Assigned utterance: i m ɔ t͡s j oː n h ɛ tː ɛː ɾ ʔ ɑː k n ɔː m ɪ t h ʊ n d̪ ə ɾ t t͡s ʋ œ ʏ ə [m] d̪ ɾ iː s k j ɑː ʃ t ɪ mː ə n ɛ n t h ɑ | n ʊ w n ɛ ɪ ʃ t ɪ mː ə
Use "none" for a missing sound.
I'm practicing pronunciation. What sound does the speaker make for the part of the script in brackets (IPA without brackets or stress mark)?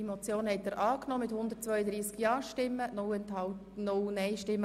none